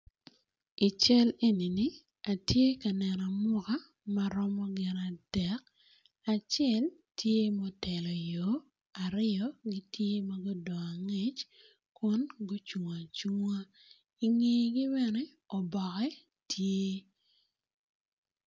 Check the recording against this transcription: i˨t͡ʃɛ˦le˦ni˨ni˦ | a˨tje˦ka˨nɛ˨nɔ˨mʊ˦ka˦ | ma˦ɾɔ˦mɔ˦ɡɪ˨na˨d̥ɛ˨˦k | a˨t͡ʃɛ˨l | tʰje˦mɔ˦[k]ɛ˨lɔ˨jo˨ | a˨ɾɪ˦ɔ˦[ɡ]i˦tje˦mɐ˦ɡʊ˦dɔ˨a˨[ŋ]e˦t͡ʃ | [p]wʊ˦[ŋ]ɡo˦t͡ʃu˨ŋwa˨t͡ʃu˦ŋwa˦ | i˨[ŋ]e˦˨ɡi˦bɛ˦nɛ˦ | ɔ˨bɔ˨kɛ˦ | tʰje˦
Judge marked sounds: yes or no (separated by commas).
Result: no, yes, yes, no, no, yes